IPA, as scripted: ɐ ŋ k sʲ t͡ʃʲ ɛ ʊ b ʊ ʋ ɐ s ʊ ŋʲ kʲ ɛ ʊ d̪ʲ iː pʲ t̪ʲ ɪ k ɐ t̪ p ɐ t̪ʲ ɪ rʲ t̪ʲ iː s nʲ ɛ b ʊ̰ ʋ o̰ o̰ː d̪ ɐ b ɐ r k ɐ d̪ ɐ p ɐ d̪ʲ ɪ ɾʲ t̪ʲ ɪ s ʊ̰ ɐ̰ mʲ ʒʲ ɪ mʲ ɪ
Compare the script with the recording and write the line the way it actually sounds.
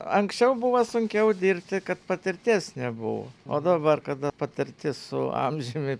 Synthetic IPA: ɐ ŋ k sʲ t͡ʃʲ ɛ ʊ b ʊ ʋ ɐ s ʊ ŋʲ kʲ ɛ ʊ d̪ʲ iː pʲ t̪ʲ ɪ k ɐ t̪ p ɐ t̪ʲ ɪ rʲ t̪ʲ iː s nʲ ɛ b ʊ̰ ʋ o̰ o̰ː d̪ ɐ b ɐ r k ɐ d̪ ɐ p ɐ t̪ʲ ɪ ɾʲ t̪ʲ ɪ s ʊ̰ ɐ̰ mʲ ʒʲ ɪ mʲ ɪ